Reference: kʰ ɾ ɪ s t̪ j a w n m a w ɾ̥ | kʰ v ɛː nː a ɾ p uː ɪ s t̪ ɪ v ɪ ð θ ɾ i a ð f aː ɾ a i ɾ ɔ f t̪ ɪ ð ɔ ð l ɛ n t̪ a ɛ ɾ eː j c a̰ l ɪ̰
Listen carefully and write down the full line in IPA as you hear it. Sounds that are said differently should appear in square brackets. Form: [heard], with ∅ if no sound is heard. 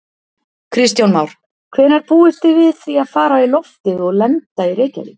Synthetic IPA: kʰ ɾ ɪ s t̪ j a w n m a w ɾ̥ | kʰ v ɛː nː a ɾ p uː ɪ s t̪ ɪ v ɪ ð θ ɾ i a ð f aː ɾ a i [l] ɔ f t̪ ɪ ð ɔ [ɣ] l ɛ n t̪ a [i] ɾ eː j c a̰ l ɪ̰